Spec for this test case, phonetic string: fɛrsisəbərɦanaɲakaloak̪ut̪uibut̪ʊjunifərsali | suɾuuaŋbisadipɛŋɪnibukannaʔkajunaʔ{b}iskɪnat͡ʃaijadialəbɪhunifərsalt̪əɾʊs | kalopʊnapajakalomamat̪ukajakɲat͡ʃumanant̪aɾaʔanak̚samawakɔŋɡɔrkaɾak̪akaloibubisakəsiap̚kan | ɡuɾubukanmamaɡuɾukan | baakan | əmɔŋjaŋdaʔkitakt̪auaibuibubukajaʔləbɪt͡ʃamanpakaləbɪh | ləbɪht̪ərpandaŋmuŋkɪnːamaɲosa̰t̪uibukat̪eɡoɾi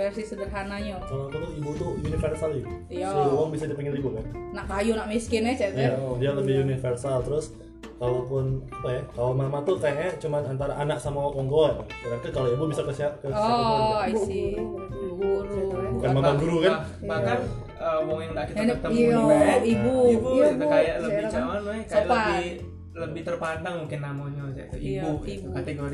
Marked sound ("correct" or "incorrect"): incorrect